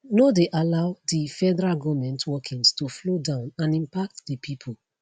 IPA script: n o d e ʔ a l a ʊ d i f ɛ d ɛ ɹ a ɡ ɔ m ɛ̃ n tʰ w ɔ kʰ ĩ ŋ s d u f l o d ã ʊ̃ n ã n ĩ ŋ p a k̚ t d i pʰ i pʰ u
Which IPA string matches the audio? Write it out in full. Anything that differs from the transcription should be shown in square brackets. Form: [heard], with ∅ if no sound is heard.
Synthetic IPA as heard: n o d e ʔ a l a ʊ d i f ɛ d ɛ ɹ a ɡ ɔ m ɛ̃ n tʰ w ɔ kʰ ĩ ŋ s [t] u f l o d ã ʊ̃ n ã n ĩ [m] p a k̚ t d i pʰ i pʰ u